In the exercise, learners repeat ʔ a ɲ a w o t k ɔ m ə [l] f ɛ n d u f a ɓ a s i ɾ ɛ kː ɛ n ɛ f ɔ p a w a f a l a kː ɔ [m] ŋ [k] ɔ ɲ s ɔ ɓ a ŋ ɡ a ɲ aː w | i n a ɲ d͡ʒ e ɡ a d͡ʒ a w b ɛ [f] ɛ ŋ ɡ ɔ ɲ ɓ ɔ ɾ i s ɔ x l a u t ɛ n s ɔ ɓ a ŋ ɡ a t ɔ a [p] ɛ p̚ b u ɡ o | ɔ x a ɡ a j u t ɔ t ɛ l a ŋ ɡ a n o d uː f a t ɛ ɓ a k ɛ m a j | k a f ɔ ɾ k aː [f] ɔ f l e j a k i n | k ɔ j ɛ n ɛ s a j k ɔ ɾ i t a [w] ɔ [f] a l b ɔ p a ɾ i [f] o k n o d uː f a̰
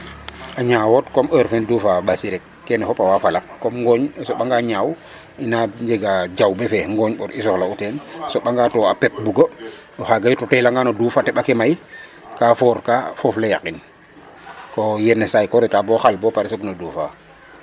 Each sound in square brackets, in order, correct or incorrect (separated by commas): incorrect, correct, incorrect, correct, correct, correct, incorrect, incorrect, incorrect